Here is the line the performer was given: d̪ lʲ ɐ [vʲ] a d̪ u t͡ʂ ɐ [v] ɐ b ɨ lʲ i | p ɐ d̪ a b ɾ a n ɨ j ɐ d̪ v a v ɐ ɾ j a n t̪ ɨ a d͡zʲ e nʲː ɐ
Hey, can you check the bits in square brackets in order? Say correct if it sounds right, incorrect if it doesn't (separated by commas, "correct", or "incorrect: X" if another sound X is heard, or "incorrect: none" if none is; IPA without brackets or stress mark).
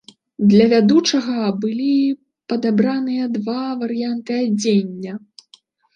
correct, incorrect: ɣ